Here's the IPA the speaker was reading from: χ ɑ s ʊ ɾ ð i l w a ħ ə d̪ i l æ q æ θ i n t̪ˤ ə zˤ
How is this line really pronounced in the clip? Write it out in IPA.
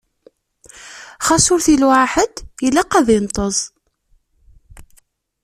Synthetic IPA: χ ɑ s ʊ ɾ θ i l w a ħ ə d̪ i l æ q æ ð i n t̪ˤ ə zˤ